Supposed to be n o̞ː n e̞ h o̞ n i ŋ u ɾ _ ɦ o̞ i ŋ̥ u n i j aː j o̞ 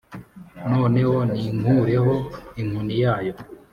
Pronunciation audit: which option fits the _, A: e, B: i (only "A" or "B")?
A